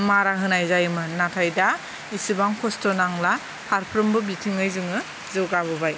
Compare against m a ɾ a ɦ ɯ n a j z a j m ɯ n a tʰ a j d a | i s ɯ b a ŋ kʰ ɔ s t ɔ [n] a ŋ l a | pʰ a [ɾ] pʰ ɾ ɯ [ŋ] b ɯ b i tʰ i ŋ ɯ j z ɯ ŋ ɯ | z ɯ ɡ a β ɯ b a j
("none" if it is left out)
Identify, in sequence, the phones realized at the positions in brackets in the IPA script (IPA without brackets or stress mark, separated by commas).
n, ɾ, m